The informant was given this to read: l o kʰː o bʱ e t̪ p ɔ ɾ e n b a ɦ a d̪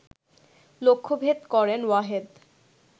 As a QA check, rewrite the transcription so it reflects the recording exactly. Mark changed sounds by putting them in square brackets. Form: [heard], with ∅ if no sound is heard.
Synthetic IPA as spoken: l o kʰː o bʱ e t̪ [k] ɔ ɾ e n [w] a ɦ [e] d̪